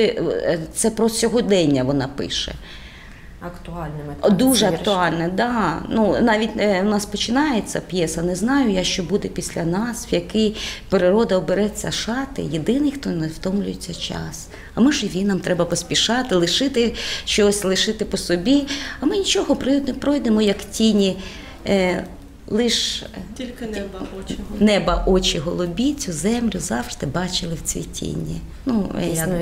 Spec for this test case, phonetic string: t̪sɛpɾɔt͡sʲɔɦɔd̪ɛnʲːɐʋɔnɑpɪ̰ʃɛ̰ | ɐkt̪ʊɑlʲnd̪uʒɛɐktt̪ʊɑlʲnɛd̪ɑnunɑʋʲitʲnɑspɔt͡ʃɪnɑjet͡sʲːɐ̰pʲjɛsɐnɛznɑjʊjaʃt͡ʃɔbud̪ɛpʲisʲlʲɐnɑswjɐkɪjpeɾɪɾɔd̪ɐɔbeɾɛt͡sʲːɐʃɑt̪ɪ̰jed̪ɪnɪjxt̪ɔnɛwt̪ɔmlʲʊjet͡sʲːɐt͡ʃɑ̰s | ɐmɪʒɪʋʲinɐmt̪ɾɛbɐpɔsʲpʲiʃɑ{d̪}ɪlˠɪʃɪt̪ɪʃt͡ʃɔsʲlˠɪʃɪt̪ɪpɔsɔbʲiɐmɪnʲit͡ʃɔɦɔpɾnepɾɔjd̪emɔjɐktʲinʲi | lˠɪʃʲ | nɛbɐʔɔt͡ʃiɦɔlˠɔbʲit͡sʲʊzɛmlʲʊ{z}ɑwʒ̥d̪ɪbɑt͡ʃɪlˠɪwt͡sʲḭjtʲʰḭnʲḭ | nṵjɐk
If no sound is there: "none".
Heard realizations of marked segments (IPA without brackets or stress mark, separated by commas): t̪, z